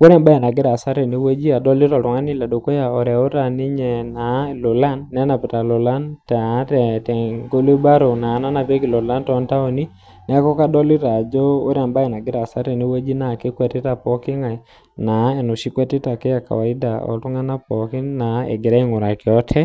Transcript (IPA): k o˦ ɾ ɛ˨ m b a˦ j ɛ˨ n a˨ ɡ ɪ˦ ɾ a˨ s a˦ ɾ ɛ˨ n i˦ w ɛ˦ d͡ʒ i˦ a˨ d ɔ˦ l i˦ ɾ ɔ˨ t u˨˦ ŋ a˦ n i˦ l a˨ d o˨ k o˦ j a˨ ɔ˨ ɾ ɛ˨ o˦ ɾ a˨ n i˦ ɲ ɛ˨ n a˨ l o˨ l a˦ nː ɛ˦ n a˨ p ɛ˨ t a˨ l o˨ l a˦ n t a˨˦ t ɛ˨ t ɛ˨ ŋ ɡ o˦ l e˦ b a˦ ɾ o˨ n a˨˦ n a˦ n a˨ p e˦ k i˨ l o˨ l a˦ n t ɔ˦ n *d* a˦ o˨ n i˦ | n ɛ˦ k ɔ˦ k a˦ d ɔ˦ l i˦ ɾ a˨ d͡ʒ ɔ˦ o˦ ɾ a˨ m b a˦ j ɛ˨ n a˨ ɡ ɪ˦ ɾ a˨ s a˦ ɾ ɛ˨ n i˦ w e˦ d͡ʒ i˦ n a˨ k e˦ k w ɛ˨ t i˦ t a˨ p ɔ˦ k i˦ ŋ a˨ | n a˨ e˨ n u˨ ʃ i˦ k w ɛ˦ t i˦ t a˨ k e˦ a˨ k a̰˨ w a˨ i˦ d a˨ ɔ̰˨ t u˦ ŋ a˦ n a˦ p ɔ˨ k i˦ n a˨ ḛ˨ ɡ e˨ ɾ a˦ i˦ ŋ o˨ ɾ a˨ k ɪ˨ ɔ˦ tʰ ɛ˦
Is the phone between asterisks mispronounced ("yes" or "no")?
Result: yes